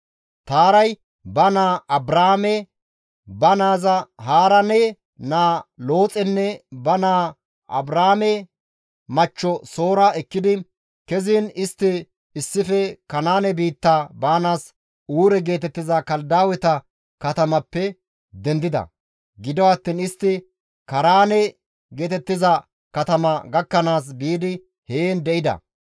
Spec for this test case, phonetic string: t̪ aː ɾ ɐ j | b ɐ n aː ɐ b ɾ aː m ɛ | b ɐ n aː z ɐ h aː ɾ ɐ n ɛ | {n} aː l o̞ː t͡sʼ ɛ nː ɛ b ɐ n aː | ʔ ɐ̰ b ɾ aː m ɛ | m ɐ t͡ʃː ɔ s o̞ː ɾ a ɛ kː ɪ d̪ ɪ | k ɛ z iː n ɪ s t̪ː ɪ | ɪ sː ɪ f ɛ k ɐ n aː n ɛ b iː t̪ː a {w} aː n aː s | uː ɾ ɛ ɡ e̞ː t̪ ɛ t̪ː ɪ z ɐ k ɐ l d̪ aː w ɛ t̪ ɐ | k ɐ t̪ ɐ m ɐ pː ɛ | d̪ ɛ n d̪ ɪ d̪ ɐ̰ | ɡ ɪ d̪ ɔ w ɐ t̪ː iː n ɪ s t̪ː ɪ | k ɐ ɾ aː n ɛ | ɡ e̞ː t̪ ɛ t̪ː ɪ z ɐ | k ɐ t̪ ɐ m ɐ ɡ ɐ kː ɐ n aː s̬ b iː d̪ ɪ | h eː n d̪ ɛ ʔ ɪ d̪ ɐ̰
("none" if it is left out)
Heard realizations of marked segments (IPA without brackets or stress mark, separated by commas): n, b